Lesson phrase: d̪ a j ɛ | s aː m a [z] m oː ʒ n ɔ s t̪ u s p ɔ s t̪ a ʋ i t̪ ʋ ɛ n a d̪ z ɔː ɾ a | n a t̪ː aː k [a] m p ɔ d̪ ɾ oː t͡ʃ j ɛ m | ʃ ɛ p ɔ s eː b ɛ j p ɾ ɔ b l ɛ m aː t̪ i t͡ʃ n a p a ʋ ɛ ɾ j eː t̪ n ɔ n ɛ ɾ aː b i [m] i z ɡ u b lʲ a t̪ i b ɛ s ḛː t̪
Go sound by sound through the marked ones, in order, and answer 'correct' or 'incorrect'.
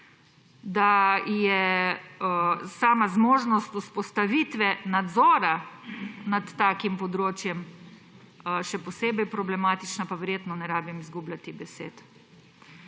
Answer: correct, incorrect, correct

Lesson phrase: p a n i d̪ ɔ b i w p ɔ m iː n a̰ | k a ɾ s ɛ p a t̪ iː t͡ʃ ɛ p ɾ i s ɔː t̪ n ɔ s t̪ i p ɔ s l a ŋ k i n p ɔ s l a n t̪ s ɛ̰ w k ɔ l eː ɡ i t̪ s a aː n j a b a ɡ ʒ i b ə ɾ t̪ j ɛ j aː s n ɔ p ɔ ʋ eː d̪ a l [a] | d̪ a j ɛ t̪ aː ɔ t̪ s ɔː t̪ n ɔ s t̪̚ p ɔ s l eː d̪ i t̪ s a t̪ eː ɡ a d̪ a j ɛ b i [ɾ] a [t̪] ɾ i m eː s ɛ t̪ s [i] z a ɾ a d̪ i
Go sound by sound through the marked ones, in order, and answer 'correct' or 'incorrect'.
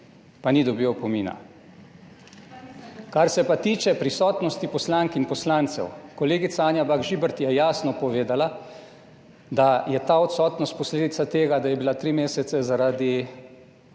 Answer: correct, incorrect, correct, incorrect

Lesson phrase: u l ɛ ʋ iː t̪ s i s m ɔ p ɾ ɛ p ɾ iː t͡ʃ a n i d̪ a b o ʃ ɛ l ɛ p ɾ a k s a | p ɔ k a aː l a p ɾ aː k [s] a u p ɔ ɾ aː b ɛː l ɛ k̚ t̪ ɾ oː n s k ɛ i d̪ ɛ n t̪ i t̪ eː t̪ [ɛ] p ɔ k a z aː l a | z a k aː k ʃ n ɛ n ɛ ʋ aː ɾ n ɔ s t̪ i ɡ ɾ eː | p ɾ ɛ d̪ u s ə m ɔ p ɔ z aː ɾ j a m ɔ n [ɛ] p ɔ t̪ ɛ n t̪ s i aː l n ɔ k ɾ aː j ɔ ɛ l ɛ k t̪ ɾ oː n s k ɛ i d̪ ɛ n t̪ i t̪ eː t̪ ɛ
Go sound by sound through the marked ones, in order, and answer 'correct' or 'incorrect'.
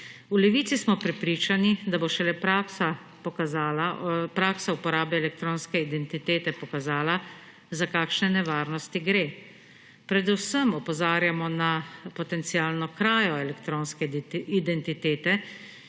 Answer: correct, correct, incorrect

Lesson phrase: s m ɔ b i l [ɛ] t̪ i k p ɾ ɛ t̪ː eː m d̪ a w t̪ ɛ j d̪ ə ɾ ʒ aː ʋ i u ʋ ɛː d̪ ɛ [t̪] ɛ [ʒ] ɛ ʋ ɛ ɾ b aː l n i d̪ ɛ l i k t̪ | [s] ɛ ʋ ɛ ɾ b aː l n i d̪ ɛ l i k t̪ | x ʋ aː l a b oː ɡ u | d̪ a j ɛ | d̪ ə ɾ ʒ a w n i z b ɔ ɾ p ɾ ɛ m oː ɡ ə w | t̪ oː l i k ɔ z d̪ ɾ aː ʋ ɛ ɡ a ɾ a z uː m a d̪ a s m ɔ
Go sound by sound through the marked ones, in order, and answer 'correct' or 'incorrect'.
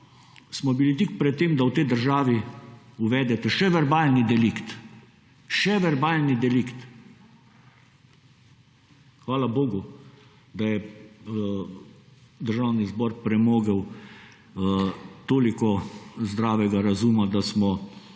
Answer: incorrect, correct, incorrect, incorrect

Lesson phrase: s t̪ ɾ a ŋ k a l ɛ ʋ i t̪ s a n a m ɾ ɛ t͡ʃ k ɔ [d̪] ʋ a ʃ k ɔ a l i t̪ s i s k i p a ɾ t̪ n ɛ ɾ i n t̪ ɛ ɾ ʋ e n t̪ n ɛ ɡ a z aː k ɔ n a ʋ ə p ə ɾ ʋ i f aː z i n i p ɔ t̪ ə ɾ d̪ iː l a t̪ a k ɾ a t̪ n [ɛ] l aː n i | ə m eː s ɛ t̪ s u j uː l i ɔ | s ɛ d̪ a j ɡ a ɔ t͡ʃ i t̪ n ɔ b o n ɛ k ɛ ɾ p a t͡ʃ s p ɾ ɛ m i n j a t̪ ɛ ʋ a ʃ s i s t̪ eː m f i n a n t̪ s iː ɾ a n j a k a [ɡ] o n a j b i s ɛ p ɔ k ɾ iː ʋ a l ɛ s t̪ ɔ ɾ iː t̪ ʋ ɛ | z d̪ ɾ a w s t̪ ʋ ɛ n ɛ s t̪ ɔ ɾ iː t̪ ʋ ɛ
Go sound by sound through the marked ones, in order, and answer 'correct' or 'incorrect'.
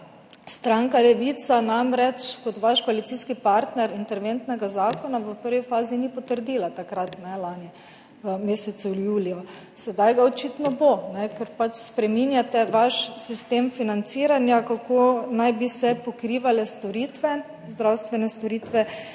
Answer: incorrect, correct, incorrect

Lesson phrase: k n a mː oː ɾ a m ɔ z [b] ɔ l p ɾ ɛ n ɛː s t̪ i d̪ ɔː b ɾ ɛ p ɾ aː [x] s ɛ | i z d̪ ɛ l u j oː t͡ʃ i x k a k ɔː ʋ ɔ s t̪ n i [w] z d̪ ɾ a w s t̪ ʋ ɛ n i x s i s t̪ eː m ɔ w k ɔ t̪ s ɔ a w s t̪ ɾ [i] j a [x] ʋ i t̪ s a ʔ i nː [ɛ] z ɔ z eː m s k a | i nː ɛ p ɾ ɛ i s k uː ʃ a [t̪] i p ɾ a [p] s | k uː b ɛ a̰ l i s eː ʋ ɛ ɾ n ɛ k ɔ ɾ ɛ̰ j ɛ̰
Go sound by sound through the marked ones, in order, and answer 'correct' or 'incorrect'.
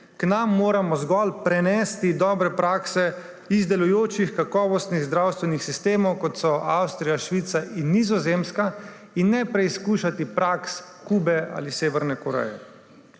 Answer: incorrect, incorrect, incorrect, correct, incorrect, incorrect, correct, incorrect

